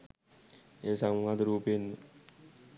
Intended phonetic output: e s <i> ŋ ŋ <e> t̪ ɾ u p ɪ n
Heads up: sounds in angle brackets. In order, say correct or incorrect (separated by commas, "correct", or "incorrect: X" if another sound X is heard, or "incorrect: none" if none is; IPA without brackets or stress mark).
incorrect: a, incorrect: a